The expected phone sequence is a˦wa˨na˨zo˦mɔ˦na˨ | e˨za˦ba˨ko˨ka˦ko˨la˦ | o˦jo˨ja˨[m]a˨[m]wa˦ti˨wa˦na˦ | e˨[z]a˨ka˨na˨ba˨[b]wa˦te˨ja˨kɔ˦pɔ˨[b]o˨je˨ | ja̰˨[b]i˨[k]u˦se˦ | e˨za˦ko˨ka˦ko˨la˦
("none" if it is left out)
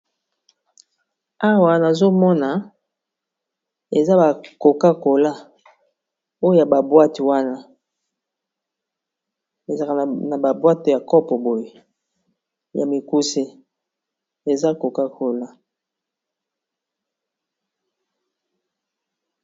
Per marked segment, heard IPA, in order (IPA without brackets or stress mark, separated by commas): b, b, z, b, b, m, k